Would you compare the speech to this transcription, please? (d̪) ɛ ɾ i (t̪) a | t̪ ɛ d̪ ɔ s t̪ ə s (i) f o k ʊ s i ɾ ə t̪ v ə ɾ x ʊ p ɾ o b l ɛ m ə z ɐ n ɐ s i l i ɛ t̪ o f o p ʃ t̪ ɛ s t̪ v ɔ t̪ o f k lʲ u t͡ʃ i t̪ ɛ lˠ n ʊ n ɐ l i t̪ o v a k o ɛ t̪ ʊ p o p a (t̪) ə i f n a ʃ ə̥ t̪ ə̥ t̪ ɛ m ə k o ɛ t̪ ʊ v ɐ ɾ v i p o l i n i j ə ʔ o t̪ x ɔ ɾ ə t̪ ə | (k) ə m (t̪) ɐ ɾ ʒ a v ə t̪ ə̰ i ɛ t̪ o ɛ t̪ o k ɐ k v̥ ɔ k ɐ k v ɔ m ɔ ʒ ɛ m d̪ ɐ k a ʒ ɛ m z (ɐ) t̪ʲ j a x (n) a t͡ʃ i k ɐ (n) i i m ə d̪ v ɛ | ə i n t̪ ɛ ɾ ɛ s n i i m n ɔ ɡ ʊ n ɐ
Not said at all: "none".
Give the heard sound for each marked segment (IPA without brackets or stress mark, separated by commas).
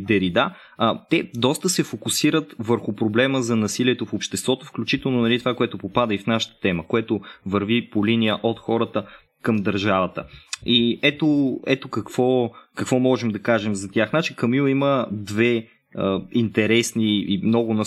d̪, d̪, ɛ, d̪, k, d̪, ɐ, n, m